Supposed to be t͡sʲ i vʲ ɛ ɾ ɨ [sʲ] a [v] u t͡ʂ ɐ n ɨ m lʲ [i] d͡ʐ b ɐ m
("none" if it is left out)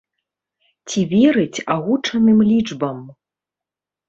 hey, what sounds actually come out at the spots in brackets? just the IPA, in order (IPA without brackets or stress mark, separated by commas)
t͡sʲ, ɣ, i